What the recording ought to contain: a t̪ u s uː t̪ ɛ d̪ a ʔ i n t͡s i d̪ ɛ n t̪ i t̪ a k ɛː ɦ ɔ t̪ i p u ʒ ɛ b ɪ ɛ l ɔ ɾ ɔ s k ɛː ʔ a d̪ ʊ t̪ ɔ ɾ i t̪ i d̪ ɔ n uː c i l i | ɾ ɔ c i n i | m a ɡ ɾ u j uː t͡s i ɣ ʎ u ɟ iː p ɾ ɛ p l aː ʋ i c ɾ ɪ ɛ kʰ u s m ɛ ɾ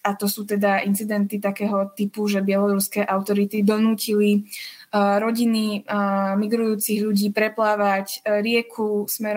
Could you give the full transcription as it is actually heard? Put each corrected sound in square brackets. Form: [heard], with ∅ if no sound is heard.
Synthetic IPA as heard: a t̪ [ɔ] s uː t̪ ɛ d̪ a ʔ i n t͡s i d̪ ɛ n t̪ i t̪ a k ɛː ɦ ɔ t̪ i p u ʒ ɛ b ɪ ɛ l ɔ ɾ [u] s k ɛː ʔ a [∅] ʊ t̪ ɔ ɾ i t̪ i d̪ ɔ n uː c i l i | ɾ ɔ [ɟ] i n i | m [i] ɡ ɾ u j uː t͡s i ɣ ʎ u ɟ iː p ɾ ɛ p l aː ʋ [a] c ɾ ɪ ɛ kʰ u s m ɛ ɾ